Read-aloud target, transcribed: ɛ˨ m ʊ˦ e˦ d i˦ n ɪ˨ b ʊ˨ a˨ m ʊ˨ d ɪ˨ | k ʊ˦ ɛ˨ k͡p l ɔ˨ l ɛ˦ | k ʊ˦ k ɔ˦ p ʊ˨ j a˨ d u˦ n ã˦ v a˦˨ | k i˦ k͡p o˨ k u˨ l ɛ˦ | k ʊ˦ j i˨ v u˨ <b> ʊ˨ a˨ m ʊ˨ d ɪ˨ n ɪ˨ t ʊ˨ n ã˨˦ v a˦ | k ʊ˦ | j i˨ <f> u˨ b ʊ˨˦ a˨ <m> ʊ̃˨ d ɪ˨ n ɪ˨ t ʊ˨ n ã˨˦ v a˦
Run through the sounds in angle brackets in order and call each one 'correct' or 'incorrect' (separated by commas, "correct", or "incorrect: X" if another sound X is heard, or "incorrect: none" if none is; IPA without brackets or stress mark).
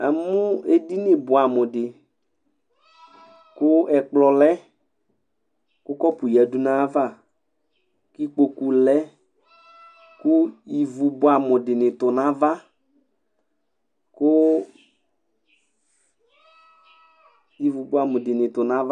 correct, incorrect: v, correct